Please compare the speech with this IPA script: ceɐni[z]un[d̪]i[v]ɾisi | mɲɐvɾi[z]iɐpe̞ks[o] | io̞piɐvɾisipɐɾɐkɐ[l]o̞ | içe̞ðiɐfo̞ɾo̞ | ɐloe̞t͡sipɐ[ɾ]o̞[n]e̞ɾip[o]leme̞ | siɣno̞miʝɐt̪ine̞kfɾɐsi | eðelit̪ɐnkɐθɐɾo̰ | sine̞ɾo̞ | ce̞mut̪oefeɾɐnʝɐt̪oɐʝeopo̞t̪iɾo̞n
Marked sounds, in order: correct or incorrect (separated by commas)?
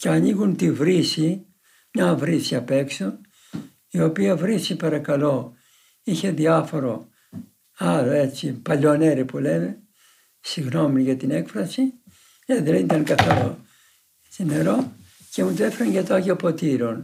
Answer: incorrect, incorrect, correct, incorrect, correct, correct, incorrect, correct, incorrect